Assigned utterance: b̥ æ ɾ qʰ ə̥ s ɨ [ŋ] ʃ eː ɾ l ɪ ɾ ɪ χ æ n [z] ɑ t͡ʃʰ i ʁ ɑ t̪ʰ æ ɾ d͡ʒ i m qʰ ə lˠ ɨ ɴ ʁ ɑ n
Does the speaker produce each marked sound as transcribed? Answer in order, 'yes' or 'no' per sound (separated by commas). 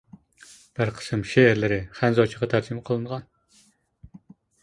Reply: no, yes